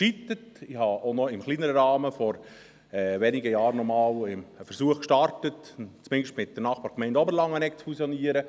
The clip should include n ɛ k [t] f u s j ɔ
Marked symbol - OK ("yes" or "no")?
no